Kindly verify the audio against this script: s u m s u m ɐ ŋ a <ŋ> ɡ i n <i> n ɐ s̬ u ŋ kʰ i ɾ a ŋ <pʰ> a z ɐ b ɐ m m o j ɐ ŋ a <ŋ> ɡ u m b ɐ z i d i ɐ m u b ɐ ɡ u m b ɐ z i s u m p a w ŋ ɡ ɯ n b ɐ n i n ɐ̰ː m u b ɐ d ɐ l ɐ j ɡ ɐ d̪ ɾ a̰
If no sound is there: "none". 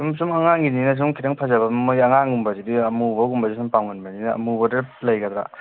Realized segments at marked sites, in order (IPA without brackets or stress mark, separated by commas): ŋ, i, pʰ, ŋ